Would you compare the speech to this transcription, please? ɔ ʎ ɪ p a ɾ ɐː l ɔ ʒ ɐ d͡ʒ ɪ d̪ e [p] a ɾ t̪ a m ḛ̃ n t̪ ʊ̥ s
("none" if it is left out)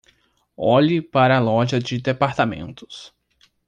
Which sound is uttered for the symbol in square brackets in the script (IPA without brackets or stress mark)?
p